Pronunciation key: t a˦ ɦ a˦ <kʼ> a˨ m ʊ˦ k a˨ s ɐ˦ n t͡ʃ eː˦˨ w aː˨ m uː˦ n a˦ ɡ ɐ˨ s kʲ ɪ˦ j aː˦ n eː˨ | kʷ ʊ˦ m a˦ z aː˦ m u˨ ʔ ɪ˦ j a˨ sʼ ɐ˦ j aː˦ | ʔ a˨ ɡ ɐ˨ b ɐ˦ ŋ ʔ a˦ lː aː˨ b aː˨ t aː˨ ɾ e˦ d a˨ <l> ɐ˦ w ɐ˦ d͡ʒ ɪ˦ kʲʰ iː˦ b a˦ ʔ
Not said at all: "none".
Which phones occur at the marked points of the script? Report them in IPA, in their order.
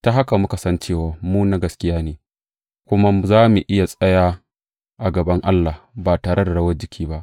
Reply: k, ɽ

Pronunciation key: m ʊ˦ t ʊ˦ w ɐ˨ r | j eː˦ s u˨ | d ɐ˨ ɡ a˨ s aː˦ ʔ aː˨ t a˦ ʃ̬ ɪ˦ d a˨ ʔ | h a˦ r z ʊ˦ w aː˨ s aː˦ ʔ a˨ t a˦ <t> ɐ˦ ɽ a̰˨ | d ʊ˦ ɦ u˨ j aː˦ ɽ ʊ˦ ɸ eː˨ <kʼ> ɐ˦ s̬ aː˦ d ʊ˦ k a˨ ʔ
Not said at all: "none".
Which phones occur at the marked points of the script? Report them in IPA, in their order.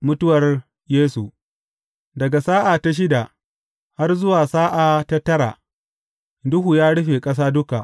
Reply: t, kʼ

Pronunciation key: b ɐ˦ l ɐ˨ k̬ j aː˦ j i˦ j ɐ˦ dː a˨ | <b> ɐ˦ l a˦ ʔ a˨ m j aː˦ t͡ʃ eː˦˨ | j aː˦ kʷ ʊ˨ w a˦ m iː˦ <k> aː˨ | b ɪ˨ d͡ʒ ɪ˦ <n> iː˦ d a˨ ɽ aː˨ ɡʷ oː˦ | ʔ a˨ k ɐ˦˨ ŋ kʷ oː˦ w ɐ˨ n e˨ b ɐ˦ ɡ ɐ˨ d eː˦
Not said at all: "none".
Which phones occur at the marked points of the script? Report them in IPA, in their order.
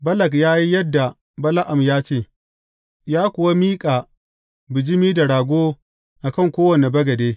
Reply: b, kʼ, m

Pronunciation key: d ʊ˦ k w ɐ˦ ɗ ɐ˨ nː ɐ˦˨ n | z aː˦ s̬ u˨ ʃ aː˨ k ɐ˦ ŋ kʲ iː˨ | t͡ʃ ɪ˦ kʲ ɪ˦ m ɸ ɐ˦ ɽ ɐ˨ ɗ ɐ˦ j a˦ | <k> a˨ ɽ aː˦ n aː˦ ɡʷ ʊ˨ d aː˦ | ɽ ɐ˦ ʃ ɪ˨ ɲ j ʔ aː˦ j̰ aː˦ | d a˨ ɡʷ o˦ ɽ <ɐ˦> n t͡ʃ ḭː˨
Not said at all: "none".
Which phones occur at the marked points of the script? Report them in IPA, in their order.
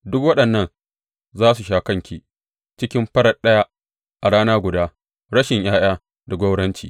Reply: ʔ, ɐ˦

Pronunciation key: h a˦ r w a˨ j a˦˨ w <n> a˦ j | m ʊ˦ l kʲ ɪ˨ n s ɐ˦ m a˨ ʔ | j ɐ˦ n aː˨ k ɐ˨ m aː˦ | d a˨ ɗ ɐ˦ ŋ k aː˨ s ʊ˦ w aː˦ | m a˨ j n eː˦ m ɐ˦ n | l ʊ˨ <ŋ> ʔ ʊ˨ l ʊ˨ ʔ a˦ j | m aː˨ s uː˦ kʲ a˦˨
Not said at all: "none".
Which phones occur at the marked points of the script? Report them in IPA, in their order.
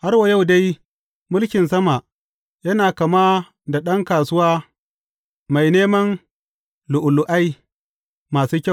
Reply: d, none

